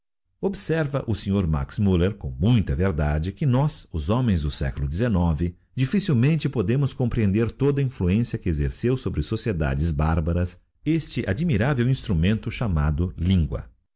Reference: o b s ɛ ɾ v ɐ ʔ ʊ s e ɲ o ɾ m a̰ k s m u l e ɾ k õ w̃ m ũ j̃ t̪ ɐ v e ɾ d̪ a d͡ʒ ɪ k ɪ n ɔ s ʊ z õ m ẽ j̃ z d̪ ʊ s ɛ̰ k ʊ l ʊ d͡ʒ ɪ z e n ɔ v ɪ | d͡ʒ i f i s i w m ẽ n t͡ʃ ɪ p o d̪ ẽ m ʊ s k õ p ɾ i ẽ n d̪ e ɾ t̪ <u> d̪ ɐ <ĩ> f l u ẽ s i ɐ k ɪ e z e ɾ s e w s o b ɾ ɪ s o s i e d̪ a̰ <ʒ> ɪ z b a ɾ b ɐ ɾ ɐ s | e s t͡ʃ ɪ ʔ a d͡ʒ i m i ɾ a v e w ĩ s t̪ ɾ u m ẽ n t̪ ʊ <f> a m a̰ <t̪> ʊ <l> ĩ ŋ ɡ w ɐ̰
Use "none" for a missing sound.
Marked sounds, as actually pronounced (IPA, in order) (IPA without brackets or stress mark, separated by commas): o, ĩ, d͡ʒ, ʃ, d̪, l